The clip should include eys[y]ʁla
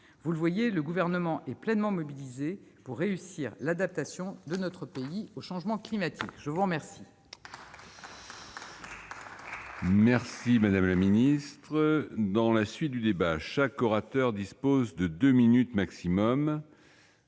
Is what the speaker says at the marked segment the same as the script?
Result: no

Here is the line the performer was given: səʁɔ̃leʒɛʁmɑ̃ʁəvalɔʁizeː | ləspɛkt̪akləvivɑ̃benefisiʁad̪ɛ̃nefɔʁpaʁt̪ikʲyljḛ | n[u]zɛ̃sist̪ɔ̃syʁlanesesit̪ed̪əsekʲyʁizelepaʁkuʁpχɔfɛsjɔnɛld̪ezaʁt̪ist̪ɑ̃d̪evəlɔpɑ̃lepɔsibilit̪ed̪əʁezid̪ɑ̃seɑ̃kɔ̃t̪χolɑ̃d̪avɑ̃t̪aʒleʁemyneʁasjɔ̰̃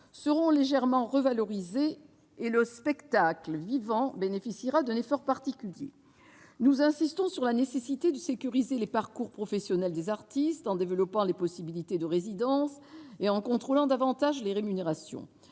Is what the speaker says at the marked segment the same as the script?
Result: yes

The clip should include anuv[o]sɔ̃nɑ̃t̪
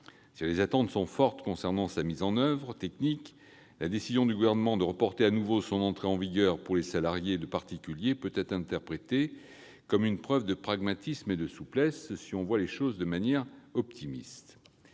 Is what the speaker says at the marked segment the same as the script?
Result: yes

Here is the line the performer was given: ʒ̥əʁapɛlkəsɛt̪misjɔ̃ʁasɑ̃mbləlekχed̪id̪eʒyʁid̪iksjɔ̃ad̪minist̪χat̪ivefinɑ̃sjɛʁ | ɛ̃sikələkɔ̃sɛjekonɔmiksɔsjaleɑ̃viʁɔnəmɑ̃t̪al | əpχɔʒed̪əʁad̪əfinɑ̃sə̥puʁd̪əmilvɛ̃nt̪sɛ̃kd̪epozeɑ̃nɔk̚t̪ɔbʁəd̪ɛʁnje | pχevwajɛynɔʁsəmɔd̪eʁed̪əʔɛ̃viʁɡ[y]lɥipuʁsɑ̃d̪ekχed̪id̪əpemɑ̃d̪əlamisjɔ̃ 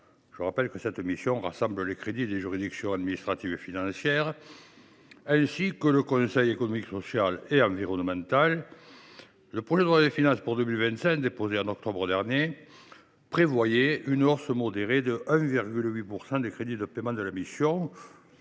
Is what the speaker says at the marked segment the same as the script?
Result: yes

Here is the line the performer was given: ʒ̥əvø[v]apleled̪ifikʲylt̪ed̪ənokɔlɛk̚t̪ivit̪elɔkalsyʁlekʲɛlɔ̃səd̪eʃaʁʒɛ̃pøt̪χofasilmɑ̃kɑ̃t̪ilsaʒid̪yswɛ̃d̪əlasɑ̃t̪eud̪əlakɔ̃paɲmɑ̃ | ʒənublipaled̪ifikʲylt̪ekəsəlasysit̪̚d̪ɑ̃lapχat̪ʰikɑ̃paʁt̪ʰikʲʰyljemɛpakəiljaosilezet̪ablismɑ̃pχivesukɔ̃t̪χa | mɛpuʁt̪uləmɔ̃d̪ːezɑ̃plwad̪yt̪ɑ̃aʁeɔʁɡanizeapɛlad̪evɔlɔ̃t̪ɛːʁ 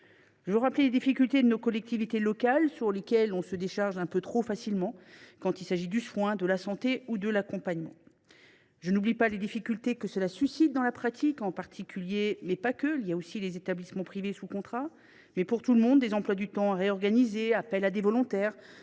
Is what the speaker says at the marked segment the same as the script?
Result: no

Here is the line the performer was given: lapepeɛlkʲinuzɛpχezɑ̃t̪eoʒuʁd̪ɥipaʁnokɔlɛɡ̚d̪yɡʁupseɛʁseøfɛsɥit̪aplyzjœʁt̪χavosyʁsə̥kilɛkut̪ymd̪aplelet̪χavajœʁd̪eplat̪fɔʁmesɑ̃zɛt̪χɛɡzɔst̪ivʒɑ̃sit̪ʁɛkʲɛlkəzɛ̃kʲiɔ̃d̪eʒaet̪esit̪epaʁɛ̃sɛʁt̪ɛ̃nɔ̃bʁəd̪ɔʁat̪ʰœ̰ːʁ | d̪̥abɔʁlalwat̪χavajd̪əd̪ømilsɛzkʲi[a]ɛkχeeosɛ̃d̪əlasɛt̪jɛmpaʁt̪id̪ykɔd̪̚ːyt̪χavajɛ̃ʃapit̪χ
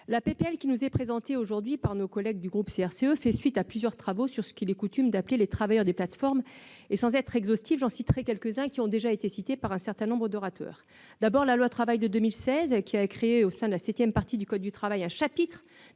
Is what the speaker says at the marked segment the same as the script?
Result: yes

